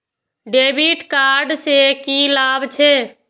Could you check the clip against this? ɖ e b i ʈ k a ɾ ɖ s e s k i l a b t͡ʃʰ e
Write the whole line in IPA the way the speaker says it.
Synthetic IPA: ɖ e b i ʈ k a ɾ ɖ s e k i l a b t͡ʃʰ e

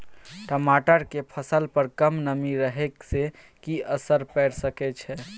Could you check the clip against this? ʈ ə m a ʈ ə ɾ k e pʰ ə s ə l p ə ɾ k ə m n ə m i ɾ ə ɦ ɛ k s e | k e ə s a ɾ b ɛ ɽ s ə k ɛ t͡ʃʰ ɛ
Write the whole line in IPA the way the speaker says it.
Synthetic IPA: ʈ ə m a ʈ ə ɾ k e pʰ ə s ə l p ə ɾ k ə m n ə m i ɾ ə ɦ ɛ k s e | k i ə s ə ɾ p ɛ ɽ s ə k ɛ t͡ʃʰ ɛ

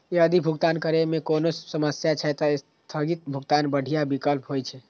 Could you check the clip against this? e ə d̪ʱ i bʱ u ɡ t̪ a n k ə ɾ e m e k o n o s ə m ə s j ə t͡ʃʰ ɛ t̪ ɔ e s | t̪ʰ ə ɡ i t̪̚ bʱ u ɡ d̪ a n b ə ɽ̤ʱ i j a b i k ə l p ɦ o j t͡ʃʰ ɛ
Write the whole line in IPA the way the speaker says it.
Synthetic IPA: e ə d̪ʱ i bʱ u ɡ t̪ a n k ə ɾ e m e k o n o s ə m ə s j a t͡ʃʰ ɛ t̪ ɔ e s | t̪ʰ ə ɡ i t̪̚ bʱ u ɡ t̪ a n b ə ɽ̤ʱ i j a b i k ə l p ɦ o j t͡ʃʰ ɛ

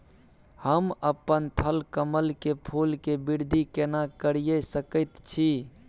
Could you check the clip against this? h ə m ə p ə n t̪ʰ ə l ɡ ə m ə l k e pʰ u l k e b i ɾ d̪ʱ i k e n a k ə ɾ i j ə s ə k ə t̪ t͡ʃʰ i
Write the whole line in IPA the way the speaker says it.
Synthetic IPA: h ə m ə p ə n t̪ʰ ə l k ə m ə l k e pʰ u l k e b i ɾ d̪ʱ i k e n a k ə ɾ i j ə s ə k ə t̪ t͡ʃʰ i

